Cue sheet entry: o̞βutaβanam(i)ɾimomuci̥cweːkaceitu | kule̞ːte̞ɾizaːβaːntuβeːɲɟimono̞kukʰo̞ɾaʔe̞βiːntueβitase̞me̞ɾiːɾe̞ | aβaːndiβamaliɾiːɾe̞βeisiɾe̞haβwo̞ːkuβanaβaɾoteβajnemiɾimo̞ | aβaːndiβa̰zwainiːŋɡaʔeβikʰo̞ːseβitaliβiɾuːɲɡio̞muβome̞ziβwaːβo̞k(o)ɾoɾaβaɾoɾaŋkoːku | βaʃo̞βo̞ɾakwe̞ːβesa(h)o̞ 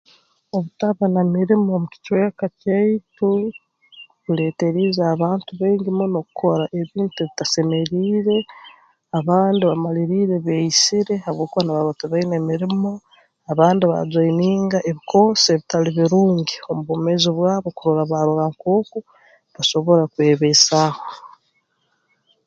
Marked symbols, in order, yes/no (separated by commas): yes, no, yes